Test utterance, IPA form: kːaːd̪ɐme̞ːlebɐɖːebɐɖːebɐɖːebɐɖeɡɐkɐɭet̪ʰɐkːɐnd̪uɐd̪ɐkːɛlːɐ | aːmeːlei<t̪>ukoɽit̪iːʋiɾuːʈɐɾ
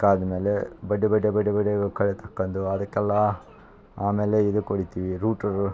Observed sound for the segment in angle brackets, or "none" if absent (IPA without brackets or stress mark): d̪